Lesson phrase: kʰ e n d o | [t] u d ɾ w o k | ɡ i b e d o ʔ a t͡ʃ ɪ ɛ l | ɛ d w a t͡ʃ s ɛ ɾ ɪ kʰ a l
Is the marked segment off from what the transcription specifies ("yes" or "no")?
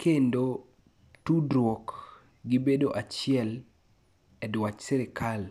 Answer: no